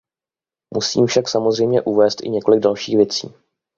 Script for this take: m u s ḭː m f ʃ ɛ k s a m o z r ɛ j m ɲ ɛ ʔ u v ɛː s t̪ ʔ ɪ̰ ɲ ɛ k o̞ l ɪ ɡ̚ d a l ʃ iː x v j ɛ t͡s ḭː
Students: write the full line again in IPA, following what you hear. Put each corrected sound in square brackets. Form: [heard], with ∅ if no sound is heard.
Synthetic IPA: m u s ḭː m f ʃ [a] k s a m o z r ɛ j m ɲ ɛ ʔ u v ɛː s t̪ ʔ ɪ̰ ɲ ɛ k o̞ l ɪ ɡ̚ d a l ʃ iː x v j ɛ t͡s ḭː